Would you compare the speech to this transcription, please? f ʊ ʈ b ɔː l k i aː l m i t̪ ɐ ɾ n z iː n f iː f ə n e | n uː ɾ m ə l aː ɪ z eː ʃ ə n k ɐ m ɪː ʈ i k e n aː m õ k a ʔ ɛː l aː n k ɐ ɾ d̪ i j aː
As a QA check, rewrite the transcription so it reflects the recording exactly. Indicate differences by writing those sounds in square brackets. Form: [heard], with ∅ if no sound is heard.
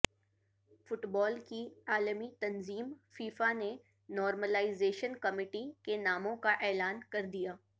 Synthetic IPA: f ʊ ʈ b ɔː l k i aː l m i t̪ ɐ [∅] n z iː [m] f iː f [a] n e | n [ɔː] ɾ m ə l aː ɪ z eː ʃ ə n k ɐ m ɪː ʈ i k e n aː m õ k a ʔ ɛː l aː n k ɐ ɾ d̪ i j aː